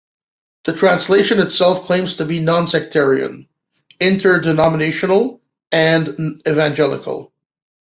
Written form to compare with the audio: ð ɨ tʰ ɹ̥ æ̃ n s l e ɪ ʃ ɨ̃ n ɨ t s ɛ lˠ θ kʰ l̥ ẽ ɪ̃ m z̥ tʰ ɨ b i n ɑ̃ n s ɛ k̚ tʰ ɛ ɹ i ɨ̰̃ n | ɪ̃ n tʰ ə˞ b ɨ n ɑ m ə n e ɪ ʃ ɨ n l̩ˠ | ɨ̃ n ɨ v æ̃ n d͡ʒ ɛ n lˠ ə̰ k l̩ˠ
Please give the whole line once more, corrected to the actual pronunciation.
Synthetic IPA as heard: ð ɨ tʰ ɹ̥ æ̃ n s l e ɪ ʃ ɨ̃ n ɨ t s ɛ lˠ f kʰ l̥ ẽ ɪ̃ m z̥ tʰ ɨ b i n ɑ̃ n s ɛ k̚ tʰ ɛ ɹ i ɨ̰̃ n | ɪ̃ n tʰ ə˞ d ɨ n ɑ m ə n e ɪ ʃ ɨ n l̩ˠ | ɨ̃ n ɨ v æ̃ n d͡ʒ ɛ lˠ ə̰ k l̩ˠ